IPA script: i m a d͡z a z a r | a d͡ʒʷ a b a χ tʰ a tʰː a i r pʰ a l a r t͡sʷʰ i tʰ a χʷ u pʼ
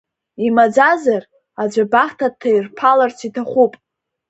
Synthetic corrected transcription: i m a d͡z a z a r | a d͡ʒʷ a b a χ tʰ a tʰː a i r pʰ a l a r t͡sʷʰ i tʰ a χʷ u pʼ

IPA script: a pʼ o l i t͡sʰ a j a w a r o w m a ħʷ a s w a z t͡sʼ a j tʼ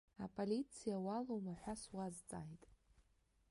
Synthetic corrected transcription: a pʼ o l i t͡sʰ i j a w a l o w m a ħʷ a s w a z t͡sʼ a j tʼ

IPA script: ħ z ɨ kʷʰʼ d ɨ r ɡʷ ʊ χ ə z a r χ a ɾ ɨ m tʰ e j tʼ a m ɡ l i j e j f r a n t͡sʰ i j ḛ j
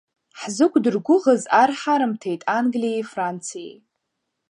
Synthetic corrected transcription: ħ z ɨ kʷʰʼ d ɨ r ɡʷ ʊ ʁ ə z a r ħ a ɾ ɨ m tʰ e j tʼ a n ɡ l i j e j f r a n t͡sʰ i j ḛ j

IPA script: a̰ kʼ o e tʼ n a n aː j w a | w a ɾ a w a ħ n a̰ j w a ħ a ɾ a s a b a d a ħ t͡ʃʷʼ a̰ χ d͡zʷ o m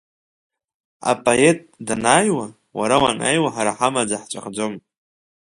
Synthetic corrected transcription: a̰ pʼ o e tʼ d a n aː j w a | w a ɾ a w a n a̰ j w a ħ a ɾ a ħ a m a d͡z a ħ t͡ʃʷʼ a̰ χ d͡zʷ o m

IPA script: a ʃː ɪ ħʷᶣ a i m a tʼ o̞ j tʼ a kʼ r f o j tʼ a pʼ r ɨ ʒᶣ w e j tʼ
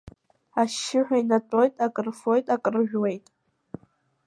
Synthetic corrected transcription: a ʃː ɪ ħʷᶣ a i n a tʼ o̞ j tʼ a kʼ r f o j tʼ a kʼ r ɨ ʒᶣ w e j tʼ

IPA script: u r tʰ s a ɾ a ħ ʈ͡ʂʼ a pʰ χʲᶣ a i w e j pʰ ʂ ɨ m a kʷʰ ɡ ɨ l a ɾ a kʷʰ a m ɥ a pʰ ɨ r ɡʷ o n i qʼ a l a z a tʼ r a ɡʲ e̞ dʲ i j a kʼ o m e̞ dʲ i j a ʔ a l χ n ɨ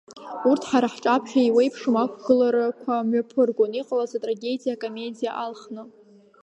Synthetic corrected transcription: u r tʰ ħ a ɾ a ħ ʈ͡ʂʼ a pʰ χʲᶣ a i w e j pʰ ʂ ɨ m a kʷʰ ɡ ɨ l a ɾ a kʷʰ a m ɥ a pʰ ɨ r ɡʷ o n i qʼ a l a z a tʼ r a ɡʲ e̞ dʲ i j a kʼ o m e̞ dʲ i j a ʔ a l χ n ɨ

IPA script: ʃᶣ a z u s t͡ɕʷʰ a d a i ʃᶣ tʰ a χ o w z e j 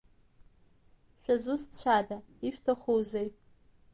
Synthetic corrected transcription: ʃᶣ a z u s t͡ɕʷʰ a d a i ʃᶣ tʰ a χ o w z e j

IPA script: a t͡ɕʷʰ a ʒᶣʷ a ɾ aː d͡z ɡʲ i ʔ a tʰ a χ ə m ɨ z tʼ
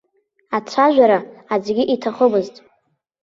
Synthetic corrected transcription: a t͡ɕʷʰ a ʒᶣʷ a ɾ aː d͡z ɡʲ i ʔ i tʰ a χ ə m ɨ z tʼ

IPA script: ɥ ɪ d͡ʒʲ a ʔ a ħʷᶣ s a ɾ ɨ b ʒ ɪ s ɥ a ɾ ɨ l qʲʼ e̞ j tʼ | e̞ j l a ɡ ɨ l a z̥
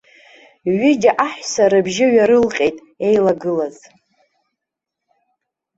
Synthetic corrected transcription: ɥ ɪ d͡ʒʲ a ʔ a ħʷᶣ s a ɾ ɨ b ʒ ɪ ɥ a ɾ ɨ l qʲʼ e̞ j tʼ | e̞ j l a ɡ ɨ l a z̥

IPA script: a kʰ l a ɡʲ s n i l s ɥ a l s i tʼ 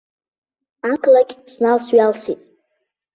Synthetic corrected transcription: a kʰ l a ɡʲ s n a l s ɥ a l s i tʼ

